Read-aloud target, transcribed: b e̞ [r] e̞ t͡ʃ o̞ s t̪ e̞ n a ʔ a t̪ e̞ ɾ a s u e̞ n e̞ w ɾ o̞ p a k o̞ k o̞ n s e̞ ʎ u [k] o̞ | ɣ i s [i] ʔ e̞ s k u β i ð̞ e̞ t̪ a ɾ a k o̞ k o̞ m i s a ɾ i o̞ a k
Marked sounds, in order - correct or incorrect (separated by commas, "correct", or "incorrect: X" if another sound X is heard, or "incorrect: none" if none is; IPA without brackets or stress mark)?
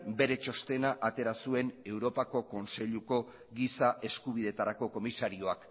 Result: incorrect: ɾ, correct, incorrect: a